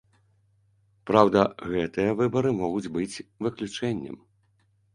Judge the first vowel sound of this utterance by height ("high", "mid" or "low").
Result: low